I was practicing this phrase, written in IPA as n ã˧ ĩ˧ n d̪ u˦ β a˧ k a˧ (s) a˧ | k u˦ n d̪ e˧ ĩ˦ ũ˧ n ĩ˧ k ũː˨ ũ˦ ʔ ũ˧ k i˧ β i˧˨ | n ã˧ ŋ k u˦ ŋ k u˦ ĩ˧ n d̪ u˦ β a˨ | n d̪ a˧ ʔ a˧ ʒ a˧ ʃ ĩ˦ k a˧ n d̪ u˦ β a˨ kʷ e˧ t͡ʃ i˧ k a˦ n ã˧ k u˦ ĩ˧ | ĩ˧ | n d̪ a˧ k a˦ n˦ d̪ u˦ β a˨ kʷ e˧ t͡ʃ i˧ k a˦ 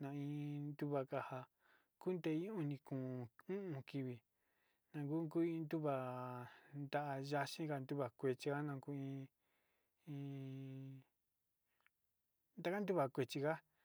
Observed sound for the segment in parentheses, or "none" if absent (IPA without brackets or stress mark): h